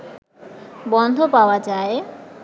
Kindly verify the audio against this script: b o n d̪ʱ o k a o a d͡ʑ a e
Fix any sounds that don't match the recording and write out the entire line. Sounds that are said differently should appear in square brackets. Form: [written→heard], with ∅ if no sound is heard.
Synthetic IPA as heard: b [o→ɔ] n d̪ʱ o [k→p] a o a d͡ʑ a e

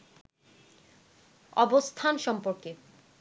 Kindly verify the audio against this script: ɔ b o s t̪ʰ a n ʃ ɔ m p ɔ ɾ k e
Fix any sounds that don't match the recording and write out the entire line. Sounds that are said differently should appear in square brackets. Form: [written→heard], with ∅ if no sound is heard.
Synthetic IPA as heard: ɔ b o s t̪ʰ a n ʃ ɔ m p [ɔ→o] ɾ k e

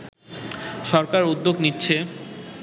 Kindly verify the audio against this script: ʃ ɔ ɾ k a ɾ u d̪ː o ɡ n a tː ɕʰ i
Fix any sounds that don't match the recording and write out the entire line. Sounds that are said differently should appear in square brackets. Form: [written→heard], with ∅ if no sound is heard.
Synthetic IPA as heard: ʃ ɔ ɾ k a ɾ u d̪ː o ɡ n [a→i] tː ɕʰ [i→e]

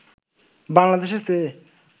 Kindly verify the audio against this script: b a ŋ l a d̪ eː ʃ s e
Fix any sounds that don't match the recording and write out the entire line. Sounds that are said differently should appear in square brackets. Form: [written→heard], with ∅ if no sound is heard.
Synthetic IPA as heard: b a ŋ l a d̪ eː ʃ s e

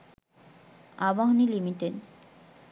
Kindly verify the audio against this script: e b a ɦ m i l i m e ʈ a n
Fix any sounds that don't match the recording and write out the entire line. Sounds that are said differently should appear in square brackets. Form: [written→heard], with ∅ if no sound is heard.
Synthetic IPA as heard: [e→a] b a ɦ [m→n] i l i m [e→i] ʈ [a→e] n

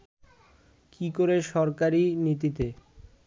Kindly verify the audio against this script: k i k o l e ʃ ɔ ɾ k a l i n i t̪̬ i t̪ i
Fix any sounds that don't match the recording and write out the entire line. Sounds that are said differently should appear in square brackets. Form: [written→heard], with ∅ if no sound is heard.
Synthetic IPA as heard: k i k o [l→ɾ] e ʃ ɔ ɾ k a [l→ɾ] i n i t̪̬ i t̪ [i→e]

